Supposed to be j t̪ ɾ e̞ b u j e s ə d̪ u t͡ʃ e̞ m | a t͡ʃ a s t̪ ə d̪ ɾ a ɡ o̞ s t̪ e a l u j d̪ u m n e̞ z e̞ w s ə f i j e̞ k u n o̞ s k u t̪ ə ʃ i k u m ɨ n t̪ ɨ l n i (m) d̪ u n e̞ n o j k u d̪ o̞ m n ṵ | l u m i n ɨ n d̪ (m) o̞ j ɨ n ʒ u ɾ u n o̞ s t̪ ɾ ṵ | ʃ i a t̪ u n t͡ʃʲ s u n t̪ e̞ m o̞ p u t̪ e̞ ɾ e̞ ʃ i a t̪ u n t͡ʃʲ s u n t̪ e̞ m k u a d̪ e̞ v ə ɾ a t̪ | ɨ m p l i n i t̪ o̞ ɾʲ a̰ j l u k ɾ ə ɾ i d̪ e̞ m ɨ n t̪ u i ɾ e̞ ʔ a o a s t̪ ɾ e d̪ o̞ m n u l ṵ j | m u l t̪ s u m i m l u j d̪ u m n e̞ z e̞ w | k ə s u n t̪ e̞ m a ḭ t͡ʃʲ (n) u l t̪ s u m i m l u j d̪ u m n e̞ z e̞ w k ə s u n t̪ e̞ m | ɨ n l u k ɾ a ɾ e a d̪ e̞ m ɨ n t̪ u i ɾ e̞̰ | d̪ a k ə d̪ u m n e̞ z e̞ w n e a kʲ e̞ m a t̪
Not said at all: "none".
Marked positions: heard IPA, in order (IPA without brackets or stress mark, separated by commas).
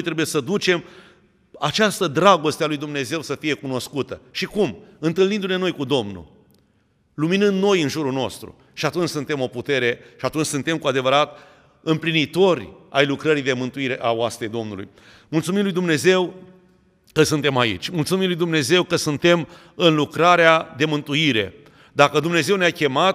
n, n, m